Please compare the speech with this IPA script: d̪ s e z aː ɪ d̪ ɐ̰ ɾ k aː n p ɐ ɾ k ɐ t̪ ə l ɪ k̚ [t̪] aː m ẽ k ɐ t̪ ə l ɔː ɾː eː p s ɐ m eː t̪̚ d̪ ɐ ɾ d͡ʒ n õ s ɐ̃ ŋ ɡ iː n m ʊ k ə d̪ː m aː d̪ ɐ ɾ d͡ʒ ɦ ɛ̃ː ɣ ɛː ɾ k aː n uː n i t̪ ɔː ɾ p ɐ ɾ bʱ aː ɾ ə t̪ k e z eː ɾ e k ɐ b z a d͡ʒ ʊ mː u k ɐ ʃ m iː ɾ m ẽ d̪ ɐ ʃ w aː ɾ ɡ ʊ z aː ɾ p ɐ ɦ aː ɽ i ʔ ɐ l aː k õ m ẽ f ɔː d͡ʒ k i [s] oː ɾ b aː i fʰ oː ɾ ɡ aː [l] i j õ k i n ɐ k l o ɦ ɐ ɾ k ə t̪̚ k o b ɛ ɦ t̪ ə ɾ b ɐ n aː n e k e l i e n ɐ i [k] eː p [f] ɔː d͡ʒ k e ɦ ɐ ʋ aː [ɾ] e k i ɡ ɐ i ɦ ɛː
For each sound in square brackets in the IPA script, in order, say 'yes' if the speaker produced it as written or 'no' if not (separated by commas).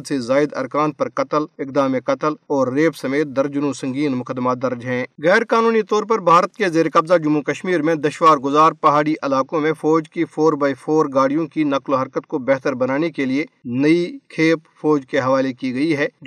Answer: no, no, no, no, yes, no